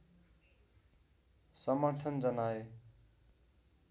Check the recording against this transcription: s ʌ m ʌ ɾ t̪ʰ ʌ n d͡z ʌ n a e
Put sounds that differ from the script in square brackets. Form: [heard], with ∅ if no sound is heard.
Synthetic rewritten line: s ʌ m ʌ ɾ t̪ʰ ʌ n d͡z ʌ n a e